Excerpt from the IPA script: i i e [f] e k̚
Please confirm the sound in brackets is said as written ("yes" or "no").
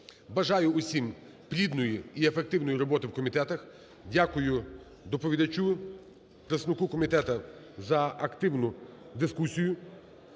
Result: yes